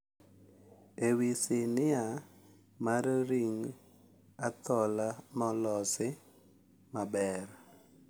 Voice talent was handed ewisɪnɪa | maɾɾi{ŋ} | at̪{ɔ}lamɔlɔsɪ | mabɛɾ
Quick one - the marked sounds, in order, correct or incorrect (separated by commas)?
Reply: correct, correct